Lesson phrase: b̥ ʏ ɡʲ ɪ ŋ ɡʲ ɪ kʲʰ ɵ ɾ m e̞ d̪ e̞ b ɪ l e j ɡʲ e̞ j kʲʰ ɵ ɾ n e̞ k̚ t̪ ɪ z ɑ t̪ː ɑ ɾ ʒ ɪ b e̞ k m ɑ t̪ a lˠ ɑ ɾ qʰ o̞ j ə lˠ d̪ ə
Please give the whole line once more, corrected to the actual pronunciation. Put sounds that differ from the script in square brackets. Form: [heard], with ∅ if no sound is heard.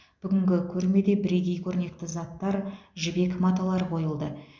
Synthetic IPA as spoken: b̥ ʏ ɡʲ ɪ ŋ ɡʲ ɪ kʲʰ ɵ ɾ m e̞ d̪ e̞ b ɪ [ɾ] e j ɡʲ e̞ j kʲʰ ɵ ɾ n e̞ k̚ t̪ ɪ z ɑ t̪ː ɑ ɾ ʒ ɪ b e̞ k m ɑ t̪ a lˠ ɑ ɾ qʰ o̞ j ə lˠ d̪ ə